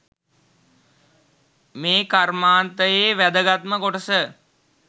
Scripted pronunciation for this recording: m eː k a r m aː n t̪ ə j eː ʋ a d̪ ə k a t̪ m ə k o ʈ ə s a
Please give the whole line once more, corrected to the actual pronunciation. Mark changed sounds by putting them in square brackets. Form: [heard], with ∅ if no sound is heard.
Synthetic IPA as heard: m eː k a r m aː n t̪ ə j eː ʋ [æ] d̪ ə [ɡ] a t̪ m ə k o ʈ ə s [ə]